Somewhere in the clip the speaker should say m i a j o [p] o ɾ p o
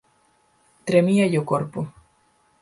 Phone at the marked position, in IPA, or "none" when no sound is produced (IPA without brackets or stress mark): k